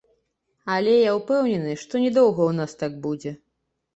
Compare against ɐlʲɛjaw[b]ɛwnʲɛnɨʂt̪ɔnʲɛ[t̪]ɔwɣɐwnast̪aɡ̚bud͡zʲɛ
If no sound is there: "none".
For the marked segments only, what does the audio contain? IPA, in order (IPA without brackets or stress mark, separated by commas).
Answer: p, d̪